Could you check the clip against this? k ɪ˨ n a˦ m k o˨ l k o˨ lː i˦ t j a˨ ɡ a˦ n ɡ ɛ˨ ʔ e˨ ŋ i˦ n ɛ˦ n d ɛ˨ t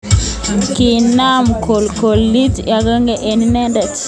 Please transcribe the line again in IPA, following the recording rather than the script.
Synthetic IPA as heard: k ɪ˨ n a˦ m k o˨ l k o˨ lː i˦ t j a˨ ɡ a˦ ŋ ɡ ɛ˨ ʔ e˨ n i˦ n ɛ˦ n d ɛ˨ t